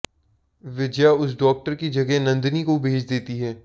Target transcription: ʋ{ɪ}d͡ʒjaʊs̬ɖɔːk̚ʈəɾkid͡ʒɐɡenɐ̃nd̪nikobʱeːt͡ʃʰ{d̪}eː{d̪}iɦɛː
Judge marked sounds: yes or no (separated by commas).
yes, yes, no